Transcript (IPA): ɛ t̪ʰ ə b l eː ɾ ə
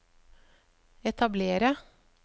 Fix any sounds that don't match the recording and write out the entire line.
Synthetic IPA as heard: ɛ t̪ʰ ɑ b l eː ɾ ə